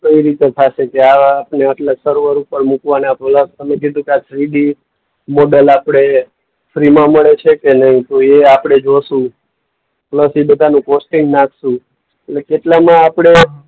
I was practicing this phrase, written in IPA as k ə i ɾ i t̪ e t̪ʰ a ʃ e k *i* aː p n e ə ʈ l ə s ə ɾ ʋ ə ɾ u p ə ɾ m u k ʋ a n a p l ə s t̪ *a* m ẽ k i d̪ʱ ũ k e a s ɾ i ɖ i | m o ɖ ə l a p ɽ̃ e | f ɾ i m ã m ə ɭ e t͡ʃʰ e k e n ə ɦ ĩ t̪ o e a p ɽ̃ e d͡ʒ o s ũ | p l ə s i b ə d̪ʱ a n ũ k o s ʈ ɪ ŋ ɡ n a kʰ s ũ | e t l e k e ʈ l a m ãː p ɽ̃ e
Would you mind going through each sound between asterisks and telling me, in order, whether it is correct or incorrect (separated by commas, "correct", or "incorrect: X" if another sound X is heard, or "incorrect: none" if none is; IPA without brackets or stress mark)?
incorrect: e, incorrect: ə